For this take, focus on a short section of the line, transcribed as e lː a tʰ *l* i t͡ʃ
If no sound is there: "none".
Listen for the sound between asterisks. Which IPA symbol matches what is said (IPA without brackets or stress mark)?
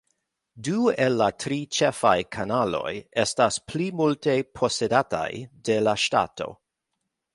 ɾ